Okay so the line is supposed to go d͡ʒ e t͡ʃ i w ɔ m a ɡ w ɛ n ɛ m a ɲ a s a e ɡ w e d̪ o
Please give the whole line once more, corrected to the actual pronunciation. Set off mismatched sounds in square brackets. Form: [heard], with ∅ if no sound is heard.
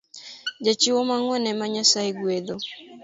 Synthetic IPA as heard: d͡ʒ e t͡ʃ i w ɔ m a [ŋ] w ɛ n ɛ m a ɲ a s a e ɡ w e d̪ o